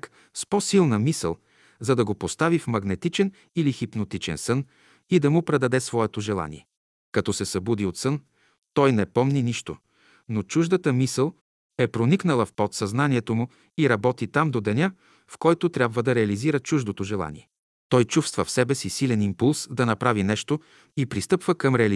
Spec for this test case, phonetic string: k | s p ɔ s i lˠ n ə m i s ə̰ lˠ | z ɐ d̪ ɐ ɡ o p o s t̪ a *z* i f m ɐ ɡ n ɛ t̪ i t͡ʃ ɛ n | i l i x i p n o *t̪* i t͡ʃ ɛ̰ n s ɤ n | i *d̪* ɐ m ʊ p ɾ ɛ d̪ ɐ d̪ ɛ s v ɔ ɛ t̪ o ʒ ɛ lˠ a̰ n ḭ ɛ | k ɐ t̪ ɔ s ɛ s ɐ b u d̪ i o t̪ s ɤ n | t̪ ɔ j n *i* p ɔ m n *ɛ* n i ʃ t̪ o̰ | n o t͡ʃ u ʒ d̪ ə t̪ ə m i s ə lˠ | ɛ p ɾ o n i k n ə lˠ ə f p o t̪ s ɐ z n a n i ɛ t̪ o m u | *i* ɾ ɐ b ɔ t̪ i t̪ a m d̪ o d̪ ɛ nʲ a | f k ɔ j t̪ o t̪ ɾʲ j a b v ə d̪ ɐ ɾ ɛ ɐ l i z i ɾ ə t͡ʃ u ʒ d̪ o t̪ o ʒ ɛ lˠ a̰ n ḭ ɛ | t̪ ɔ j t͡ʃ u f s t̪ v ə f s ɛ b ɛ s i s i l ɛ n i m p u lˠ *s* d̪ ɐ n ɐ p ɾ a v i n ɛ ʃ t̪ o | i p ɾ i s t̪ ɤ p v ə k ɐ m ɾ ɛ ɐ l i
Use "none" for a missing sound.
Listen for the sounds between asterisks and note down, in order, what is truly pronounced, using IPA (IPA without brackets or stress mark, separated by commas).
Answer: v, t̪, d̪, ɛ, i, i, s